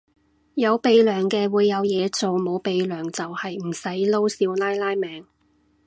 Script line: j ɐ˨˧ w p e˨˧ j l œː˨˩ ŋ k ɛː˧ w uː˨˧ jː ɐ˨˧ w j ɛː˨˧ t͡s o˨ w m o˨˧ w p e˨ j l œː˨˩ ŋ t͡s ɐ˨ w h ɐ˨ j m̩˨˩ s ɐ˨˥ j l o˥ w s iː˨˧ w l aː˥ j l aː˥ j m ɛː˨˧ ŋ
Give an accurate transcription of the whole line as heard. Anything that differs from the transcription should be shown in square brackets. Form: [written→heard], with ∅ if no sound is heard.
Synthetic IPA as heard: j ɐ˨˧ w p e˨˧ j l œː˨˩ ŋ k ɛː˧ w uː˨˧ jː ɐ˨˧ w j ɛː˨˧ t͡s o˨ w m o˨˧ w p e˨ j l œː˨˩ ŋ t͡s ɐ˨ w h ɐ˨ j m̩˨˩ s ɐ˨˥ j l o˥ w s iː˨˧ w l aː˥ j l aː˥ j m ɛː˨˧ ŋ